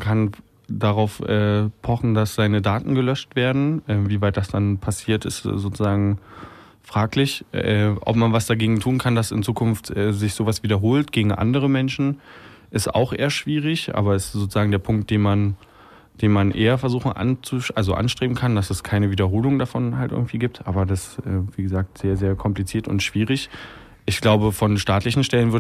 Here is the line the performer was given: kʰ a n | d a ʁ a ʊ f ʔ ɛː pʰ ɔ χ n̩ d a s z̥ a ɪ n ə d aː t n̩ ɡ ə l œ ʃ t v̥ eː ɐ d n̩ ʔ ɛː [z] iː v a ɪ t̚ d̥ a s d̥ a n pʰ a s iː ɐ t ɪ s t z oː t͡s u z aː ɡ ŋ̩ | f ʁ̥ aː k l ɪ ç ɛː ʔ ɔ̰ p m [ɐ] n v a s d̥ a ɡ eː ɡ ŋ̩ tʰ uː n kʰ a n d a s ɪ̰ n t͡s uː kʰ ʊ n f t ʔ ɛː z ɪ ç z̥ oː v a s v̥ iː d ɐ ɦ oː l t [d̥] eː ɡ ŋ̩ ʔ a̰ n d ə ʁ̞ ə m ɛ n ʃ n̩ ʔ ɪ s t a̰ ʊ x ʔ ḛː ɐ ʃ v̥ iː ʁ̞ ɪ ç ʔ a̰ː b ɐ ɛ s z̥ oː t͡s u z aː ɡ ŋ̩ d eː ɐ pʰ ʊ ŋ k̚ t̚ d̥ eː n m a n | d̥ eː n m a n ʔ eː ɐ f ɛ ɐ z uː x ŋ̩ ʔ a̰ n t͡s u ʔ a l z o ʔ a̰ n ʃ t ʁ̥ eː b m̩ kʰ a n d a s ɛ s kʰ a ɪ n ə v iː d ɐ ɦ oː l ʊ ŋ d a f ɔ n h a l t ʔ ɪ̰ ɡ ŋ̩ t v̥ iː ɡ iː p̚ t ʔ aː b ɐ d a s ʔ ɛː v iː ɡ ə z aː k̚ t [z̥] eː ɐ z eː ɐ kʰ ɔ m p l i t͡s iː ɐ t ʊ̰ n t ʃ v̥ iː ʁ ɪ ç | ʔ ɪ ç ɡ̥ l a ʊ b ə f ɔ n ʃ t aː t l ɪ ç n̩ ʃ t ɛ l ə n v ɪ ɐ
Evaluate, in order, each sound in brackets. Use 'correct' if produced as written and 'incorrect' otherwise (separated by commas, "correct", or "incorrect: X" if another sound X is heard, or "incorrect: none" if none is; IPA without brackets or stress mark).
incorrect: v, incorrect: a, incorrect: ɡ̥, correct